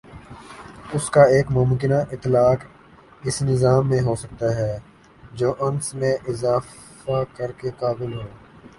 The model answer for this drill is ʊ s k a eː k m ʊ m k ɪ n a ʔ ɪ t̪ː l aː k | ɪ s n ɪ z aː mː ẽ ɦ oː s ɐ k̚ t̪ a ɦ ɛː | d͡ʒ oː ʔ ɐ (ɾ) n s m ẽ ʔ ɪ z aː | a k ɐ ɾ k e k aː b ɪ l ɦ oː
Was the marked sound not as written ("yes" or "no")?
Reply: yes